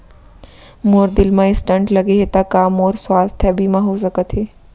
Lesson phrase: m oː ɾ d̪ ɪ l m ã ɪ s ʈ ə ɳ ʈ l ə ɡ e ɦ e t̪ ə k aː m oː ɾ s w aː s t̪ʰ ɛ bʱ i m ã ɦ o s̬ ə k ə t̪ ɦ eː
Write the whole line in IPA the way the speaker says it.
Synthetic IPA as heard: m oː ɾ d̪ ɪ l m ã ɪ s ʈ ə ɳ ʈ l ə ɡ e ɦ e t̪ a k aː m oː ɾ s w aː s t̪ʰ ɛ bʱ i m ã ɦ o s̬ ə k ə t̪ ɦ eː